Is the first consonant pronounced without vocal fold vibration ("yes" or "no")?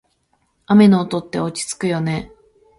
no